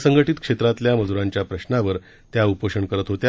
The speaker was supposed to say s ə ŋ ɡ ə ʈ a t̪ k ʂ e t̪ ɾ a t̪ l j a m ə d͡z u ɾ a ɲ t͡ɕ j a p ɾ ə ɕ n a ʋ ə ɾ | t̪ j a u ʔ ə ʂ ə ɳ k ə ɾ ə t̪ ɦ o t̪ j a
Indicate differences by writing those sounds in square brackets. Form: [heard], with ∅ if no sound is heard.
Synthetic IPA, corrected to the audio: s ə ŋ ɡ ə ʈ [i] t̪ k ʂ e t̪ ɾ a t̪ l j a m ə d͡z u ɾ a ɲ t͡ɕ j a p ɾ ə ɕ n a ʋ ə ɾ | t̪ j a u [p] ə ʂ ə ɳ k ə ɾ ə t̪ ɦ o t̪ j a